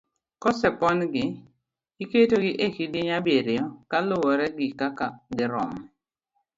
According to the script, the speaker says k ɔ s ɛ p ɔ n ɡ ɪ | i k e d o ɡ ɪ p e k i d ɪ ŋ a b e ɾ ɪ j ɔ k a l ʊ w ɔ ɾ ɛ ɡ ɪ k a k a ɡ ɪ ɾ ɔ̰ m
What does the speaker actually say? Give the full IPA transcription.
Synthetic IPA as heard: k ɔ s ɛ p ɔ n ɡ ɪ | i k e t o ɡ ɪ ʔ e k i d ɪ ɲ a b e ɾ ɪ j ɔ k a l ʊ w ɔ ɾ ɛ ɡ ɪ k a k a ɡ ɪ ɾ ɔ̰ m

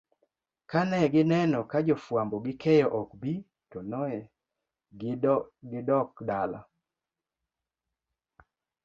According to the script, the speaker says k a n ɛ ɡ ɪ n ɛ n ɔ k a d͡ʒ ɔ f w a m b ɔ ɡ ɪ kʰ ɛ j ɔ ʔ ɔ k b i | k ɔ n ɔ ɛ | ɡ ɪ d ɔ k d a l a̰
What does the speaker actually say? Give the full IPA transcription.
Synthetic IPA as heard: k a n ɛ ɡ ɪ n ɛ n ɔ k a d͡ʒ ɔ f w a m b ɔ ɡ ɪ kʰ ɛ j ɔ ʔ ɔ k b i | t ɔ n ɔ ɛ | ɡ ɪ d ɔ k d a l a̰

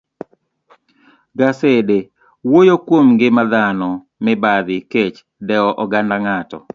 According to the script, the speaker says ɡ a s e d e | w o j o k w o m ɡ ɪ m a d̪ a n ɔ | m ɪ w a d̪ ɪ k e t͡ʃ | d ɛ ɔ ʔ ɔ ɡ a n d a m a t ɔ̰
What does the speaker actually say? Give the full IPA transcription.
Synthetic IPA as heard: ɡ a s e d e | w o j o k w o m ɡ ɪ m a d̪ a n ɔ | m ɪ b a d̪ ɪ k e t͡ʃ | d ɛ ɔ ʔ ɔ ɡ a n d a ŋ a t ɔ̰

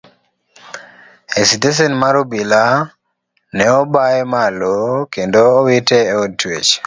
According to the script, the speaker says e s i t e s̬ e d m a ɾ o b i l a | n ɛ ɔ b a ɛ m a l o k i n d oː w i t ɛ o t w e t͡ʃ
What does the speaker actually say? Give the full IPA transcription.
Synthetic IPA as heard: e s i t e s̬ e n m a ɾ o b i l a | n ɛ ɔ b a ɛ m a l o k e n d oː w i t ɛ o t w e t͡ʃ

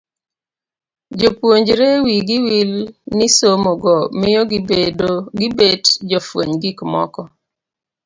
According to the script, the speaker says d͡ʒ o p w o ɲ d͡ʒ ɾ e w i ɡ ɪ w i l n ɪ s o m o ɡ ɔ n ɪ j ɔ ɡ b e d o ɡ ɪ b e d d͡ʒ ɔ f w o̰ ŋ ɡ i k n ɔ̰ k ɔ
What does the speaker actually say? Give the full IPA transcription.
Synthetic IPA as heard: d͡ʒ o p w o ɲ d͡ʒ ɾ e w i ɡ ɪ w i l n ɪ s o m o ɡ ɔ m ɪ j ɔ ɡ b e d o ɡ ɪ b e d d͡ʒ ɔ f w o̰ ɲ ɡ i k m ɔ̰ k ɔ

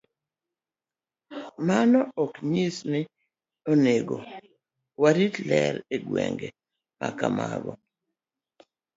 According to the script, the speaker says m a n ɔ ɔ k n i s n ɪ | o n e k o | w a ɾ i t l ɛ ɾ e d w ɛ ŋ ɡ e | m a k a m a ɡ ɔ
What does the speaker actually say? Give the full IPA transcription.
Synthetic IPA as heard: m a n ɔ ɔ k ɲ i s n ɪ | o n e ɡ o | w a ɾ i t l ɛ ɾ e ɡ w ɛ ŋ ɡ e | m a k a m a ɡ ɔ

